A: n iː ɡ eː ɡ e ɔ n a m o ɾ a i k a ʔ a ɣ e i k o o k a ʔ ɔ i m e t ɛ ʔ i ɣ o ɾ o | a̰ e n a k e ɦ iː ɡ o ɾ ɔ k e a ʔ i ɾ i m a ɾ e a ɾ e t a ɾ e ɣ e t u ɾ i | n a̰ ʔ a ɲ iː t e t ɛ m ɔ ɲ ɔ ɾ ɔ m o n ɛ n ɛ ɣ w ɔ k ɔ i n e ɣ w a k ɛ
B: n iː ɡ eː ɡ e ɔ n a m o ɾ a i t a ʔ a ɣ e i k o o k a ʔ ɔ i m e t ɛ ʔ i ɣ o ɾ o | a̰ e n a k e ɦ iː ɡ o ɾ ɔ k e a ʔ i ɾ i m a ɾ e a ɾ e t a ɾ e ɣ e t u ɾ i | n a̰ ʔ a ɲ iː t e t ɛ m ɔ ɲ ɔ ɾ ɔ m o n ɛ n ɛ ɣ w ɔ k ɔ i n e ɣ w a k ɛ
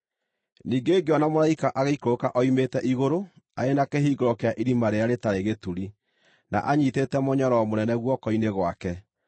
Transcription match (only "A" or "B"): A